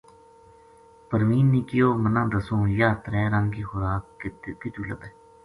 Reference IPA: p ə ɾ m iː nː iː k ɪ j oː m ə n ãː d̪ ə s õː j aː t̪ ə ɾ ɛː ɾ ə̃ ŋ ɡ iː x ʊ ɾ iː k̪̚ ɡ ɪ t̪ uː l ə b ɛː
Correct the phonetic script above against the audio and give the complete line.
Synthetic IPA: p ə ɾ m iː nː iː k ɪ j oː m ə n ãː d̪ ə s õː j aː t̪ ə ɾ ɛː ɾ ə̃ ŋ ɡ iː x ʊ ɾ aː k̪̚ k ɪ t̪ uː l ə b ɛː